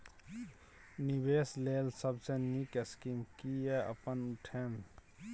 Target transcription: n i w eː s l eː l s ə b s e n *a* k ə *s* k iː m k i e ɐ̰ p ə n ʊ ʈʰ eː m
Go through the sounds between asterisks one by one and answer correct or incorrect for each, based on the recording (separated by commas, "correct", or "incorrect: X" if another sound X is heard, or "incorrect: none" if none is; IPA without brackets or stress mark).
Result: incorrect: i, correct